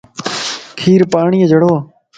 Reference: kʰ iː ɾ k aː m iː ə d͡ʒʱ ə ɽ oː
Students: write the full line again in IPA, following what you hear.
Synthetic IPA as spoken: kʰ iː ɾ p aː ɳ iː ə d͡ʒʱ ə ɽ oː